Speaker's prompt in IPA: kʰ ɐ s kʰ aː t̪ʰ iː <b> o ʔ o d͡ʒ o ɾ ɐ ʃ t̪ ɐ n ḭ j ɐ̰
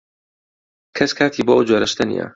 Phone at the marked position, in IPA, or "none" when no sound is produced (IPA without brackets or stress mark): b